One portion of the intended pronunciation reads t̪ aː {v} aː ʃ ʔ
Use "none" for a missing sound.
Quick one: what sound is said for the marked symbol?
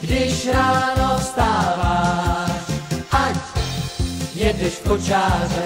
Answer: v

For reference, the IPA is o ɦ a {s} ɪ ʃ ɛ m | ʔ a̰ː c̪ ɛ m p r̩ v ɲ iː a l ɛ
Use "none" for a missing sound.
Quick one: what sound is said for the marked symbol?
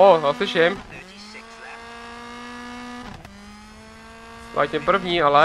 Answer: s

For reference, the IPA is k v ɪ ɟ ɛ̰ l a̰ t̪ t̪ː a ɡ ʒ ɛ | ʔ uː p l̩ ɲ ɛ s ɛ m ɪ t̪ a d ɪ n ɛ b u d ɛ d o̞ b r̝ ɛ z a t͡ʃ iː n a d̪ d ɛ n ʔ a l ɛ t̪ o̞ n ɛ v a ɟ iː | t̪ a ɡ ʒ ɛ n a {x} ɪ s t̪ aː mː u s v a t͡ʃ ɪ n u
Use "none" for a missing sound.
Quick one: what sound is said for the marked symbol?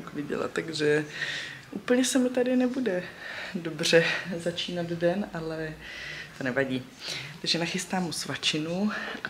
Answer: x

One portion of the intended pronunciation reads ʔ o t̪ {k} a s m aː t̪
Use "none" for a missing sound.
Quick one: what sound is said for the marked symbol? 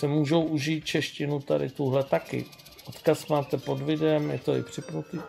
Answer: k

